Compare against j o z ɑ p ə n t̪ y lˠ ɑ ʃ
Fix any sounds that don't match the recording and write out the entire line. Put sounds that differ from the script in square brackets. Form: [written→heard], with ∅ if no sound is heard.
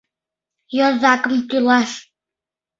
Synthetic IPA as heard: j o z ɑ [p→k] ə [n→m] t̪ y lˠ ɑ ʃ